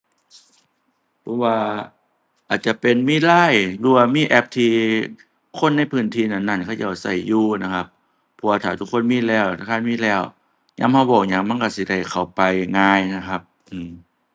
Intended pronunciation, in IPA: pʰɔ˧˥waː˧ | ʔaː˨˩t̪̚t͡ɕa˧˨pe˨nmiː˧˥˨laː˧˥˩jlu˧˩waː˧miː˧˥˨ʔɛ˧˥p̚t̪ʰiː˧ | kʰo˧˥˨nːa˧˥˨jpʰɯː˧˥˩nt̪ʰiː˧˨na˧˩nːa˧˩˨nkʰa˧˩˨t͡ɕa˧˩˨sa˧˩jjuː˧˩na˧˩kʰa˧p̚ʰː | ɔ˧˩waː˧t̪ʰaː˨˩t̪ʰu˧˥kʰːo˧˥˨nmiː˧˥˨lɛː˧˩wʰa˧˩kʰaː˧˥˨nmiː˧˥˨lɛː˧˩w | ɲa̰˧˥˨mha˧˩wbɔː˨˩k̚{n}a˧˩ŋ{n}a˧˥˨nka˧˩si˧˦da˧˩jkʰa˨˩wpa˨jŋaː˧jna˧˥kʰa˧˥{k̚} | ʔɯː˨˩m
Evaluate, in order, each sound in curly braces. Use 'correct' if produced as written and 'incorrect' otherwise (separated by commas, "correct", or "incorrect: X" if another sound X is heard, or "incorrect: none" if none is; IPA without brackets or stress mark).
incorrect: ɲ, incorrect: m, incorrect: p̚